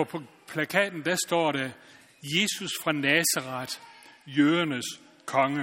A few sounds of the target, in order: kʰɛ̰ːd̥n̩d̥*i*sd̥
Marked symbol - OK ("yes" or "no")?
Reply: no